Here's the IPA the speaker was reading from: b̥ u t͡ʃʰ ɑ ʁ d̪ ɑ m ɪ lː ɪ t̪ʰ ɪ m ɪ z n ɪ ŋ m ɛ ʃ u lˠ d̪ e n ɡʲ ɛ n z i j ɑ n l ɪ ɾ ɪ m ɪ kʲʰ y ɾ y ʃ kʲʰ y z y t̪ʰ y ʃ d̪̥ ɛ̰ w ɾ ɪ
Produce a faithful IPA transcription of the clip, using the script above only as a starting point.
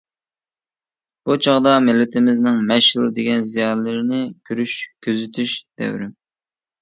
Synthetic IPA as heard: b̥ u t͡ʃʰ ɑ ʁ d̪ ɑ m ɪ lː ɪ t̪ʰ ɪ m ɪ z n ɪ ŋ m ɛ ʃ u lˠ d̪ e ɡʲ ɛ n z i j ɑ n l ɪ ɾ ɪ n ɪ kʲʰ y ɾ y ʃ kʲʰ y z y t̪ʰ y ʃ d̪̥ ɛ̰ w ɾ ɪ